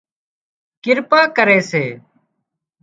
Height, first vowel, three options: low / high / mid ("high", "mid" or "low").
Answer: high